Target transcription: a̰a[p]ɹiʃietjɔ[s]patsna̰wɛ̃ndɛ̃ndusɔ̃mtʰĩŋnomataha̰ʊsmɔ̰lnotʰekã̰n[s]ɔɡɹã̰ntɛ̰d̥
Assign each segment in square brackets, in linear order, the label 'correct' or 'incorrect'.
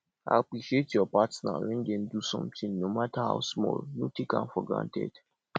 correct, incorrect, incorrect

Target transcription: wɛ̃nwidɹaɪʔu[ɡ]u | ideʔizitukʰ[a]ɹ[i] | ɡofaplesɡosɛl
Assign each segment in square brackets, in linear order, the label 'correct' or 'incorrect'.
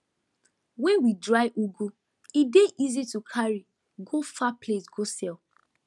correct, correct, correct

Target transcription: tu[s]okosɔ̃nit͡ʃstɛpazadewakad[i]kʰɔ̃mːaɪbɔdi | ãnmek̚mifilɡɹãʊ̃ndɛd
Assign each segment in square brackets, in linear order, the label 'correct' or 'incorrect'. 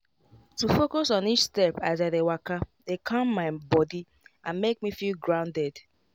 incorrect, incorrect

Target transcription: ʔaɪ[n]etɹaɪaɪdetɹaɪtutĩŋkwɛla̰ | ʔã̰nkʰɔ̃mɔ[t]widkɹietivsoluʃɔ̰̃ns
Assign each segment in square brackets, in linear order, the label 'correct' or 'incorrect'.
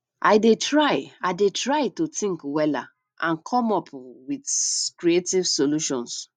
incorrect, incorrect

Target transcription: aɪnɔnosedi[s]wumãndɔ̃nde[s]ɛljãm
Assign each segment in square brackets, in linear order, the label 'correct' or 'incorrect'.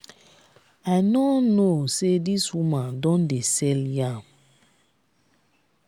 correct, correct

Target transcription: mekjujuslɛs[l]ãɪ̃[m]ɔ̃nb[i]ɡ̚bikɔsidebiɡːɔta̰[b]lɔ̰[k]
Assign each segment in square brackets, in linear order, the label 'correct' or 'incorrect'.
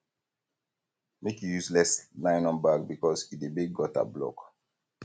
correct, incorrect, incorrect, correct, correct

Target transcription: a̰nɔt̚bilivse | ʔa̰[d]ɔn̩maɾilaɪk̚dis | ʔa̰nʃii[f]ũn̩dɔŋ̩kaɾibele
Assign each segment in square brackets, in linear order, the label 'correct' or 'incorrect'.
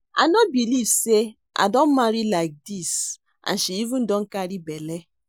correct, incorrect

